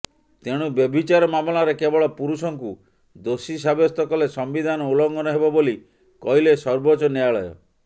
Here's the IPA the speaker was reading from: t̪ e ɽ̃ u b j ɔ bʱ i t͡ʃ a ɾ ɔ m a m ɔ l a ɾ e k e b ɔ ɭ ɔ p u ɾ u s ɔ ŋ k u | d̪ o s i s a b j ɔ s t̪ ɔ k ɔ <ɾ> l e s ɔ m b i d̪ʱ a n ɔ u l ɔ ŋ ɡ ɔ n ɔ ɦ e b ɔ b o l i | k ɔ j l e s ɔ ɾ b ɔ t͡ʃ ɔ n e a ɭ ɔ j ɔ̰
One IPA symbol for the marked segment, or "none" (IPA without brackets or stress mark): none